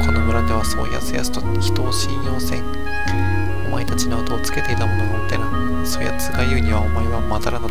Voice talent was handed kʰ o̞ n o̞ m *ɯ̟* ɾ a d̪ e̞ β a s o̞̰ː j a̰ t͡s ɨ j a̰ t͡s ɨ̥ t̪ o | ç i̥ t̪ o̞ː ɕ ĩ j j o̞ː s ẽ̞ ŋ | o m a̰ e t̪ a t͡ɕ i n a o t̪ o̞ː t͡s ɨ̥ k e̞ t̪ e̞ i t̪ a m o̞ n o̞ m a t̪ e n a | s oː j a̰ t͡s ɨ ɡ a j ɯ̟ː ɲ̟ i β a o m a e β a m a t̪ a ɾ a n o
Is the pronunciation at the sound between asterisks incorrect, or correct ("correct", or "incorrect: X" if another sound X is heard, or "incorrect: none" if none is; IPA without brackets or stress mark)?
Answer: correct